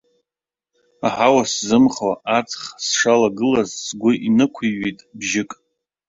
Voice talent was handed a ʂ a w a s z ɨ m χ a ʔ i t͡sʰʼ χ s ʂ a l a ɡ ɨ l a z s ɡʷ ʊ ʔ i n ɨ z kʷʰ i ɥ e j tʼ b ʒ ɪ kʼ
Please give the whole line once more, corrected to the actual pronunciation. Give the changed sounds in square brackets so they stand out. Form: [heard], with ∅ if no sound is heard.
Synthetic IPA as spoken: a [ħ] a w a s z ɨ m χ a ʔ [a] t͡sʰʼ χ s ʂ a l a ɡ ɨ l a z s ɡʷ ʊ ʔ i n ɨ [∅] kʷʰ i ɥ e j tʼ b ʒ ɪ kʼ

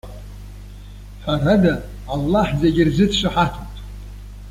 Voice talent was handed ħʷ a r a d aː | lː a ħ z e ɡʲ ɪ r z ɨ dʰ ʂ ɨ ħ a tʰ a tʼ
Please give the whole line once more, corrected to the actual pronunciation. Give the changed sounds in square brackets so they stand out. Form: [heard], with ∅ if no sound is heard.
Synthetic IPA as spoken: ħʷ a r a d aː | lː a ħ z e ɡʲ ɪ r z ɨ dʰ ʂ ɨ ħ a tʰ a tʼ

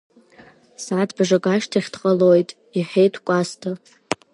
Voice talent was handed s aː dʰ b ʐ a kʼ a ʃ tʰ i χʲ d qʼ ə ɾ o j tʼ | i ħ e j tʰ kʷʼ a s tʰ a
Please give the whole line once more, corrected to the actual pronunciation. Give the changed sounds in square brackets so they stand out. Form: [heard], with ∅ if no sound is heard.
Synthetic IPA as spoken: s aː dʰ b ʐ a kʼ a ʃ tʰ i χʲ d qʼ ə [l] o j tʼ | i ħ e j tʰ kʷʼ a s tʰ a

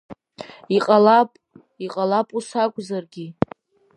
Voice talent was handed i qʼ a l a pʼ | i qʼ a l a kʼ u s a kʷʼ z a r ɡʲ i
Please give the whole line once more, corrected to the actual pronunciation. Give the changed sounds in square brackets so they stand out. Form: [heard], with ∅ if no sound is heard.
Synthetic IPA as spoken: i qʼ a l a pʼ | i qʼ a l a [pʼ] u s a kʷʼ z a r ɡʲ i

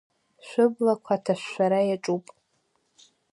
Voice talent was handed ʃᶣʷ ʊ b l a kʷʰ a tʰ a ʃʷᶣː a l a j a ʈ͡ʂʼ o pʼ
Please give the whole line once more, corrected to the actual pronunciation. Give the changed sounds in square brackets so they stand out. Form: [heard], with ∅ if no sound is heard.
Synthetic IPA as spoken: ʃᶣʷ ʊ b l a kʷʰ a tʰ a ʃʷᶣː a [ɾ] a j a ʈ͡ʂʼ [u] pʼ

